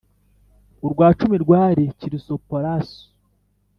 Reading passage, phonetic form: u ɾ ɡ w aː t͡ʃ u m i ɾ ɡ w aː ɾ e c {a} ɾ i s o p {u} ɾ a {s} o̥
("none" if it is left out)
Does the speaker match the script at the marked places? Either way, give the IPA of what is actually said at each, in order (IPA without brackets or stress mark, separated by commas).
i, o, s